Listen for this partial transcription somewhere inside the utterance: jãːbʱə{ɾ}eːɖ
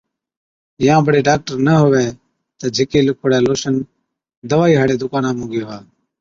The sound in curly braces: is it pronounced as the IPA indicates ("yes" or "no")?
no